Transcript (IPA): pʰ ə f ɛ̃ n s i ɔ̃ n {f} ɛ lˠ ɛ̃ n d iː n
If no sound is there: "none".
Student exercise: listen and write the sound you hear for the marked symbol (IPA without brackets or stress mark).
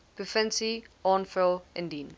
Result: f